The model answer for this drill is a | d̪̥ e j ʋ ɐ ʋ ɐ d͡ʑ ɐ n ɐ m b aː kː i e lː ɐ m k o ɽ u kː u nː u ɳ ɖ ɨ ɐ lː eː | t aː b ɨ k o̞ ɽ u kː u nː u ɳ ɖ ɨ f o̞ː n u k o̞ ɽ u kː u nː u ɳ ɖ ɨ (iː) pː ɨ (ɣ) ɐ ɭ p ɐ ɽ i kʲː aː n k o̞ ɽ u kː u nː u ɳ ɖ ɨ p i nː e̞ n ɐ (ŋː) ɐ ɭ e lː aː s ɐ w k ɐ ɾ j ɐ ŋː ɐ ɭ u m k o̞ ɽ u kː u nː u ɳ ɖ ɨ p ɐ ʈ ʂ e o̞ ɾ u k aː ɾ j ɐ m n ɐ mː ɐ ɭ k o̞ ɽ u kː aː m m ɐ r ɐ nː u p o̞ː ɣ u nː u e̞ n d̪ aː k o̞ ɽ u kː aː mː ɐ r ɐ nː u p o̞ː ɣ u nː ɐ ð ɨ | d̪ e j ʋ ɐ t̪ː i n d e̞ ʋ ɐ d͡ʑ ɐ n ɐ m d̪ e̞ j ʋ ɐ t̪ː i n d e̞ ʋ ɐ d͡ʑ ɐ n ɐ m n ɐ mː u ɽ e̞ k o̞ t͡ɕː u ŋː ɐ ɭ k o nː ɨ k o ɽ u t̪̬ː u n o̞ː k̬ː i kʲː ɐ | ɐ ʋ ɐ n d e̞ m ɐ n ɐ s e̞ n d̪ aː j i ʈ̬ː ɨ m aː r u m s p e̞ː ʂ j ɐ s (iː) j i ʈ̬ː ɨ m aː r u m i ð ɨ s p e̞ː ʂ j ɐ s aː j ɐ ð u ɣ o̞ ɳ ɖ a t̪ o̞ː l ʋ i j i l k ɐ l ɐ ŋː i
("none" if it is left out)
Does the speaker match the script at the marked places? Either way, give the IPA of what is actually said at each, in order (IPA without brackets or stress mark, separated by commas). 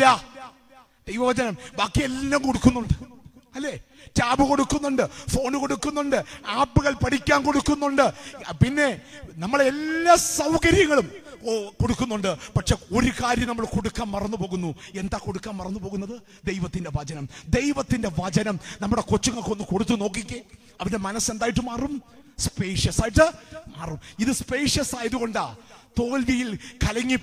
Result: aː, ɣ, mː, aː